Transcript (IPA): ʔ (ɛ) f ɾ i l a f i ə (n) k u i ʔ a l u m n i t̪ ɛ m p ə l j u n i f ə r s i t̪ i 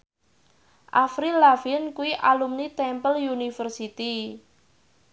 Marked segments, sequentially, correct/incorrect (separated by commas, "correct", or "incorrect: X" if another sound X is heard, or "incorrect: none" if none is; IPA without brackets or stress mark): incorrect: a, correct